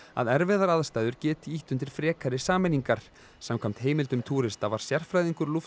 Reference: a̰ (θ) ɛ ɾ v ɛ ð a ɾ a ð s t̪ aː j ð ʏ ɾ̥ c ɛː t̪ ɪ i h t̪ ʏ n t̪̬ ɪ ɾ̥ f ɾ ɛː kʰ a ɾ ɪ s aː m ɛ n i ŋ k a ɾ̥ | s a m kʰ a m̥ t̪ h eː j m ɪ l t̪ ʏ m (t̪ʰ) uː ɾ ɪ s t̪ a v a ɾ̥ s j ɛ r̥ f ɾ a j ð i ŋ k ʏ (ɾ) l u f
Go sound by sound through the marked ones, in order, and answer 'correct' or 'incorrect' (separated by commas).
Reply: incorrect, correct, correct